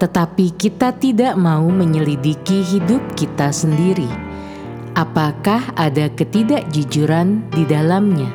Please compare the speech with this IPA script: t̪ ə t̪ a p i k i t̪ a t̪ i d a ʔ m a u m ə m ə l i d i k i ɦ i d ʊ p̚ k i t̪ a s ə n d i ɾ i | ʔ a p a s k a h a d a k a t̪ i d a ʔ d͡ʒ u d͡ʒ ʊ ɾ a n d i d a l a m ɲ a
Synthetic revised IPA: t̪ ə t̪ a p i k i t̪ a t̪ i d a ʔ m a u m ə ɲ ə l i d i k i ɦ i d ʊ p̚ k i t̪ a s ə n d i ɾ i | ʔ a p a k a h a d a k ə t̪ i d a ʔ d͡ʒ u d͡ʒ u ɾ a n d i d a l a m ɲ a